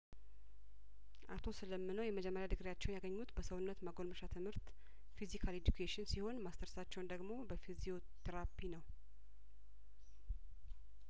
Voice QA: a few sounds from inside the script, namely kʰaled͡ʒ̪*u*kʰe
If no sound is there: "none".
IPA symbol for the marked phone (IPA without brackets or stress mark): u